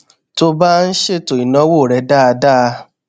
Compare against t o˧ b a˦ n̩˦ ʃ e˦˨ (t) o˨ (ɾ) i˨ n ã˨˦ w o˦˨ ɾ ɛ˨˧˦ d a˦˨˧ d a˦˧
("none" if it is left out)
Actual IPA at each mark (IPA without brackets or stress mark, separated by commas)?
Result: t, none